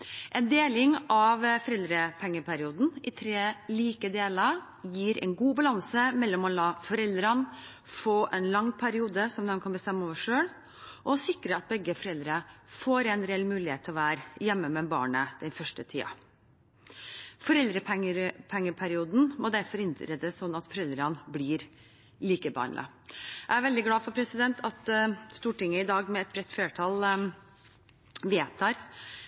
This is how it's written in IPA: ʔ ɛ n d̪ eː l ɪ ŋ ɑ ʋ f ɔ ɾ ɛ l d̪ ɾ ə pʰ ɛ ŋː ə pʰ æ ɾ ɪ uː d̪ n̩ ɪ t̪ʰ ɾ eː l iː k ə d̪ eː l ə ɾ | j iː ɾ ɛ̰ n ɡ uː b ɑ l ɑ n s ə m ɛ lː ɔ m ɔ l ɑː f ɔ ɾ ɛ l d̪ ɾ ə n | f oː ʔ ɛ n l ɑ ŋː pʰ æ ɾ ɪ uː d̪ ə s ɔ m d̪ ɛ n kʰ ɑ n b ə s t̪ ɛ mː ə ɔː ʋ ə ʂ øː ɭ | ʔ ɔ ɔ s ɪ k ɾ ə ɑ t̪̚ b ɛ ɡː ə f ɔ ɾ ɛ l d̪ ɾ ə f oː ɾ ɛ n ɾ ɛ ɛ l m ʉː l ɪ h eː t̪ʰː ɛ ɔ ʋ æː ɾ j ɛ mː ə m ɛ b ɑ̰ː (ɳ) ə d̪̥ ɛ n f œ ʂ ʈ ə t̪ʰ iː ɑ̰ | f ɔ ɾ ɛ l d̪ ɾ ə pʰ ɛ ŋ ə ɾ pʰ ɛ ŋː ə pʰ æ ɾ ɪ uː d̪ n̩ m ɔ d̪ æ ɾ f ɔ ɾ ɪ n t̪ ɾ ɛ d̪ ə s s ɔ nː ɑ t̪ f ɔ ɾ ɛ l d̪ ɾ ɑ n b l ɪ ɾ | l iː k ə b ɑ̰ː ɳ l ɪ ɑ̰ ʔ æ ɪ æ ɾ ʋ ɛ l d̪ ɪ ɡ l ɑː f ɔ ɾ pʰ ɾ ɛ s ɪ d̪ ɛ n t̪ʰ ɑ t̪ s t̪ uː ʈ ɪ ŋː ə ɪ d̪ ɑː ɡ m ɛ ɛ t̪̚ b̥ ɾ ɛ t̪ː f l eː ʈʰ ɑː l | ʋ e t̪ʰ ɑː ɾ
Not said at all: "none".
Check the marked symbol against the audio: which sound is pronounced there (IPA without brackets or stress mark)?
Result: ɳ